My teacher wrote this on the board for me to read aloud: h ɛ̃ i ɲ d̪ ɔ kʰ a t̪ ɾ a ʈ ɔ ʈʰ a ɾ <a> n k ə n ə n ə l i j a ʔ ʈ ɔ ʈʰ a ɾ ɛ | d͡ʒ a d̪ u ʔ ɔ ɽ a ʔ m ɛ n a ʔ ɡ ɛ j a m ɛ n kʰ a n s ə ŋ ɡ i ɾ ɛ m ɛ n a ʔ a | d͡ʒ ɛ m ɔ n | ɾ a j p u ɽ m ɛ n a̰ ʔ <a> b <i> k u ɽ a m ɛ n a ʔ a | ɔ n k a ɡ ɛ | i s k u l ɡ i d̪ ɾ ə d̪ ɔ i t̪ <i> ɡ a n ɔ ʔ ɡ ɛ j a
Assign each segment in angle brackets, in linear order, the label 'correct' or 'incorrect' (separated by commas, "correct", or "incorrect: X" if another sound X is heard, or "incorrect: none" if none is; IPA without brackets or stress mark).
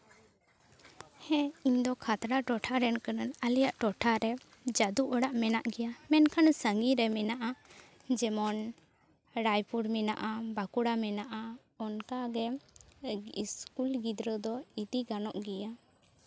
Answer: incorrect: ɛ, correct, incorrect: a, correct